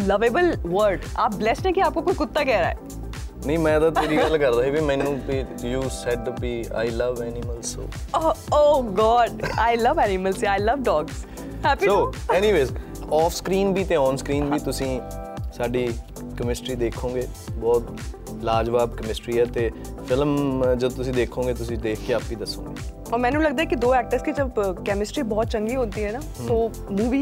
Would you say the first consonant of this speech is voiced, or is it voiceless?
voiced